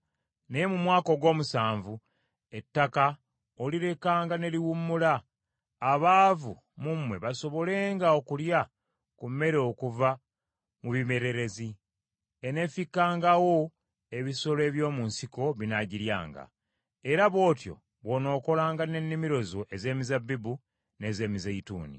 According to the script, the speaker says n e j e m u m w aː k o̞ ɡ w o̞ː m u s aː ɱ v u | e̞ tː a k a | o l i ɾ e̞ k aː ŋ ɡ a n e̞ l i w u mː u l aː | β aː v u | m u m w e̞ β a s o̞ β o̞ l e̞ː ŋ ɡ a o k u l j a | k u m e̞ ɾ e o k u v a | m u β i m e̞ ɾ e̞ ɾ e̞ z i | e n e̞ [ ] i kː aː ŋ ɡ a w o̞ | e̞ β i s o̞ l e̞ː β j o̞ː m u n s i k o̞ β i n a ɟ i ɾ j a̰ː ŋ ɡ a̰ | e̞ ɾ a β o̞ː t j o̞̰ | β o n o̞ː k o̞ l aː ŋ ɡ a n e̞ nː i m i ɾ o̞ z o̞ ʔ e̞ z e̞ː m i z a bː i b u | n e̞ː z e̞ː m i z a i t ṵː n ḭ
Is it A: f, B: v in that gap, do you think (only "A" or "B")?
A